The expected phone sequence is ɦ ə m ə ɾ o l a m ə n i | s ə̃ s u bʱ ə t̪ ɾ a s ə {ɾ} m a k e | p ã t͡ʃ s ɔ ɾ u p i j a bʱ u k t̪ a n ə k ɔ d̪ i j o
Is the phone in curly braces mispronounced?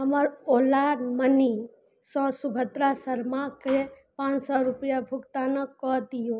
no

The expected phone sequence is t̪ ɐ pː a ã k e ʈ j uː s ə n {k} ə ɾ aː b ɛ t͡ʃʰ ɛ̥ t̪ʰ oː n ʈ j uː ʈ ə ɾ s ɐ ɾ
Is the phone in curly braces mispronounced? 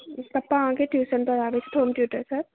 yes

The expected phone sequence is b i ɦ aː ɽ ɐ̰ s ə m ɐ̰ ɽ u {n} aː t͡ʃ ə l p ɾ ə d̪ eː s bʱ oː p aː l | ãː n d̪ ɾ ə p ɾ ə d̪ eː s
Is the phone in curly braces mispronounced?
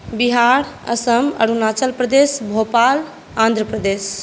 no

